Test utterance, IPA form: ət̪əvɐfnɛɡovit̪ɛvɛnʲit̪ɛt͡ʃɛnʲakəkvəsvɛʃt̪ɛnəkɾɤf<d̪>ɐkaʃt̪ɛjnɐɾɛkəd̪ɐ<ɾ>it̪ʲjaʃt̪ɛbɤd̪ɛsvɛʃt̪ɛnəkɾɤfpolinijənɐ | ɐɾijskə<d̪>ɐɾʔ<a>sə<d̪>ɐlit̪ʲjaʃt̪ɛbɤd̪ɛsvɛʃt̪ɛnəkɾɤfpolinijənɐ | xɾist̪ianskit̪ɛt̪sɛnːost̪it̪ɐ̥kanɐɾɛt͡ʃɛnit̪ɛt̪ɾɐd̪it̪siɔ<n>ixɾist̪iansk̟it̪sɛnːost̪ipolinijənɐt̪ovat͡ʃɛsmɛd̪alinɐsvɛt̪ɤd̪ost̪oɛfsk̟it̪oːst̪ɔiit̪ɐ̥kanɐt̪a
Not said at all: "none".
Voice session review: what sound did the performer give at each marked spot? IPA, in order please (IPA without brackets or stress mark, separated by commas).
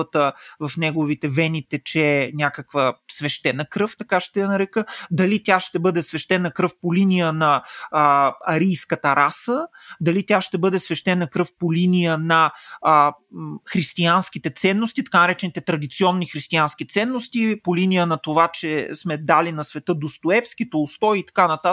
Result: t̪, l, t̪, a, d̪, nː